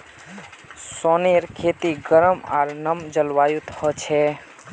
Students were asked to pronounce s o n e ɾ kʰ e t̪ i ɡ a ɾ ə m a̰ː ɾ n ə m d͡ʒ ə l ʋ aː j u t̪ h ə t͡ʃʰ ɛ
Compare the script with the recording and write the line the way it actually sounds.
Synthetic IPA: s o n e ɾ kʰ e t̪ i ɡ ə ɾ ə m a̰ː ɾ n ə m d͡ʒ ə l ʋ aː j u t̪ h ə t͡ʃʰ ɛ